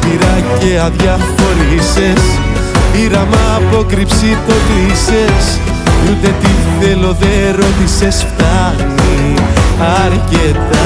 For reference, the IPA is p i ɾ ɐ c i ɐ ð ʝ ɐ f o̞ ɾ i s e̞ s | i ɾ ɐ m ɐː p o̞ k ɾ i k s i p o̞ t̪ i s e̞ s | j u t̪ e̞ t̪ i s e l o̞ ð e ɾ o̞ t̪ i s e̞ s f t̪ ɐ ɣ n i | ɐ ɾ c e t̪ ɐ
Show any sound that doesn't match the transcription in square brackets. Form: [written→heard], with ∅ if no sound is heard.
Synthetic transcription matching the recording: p i ɾ ɐ c [i→e] ɐ ð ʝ ɐ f o̞ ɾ i s e̞ s | i ɾ ɐ m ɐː p o̞ k ɾ i [k→p] s i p o̞ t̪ i s e̞ s | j u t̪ e̞ t̪ i [s→θ] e l o̞ ð e ɾ o̞ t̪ i s e̞ s f t̪ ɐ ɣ n i | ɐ ɾ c e t̪ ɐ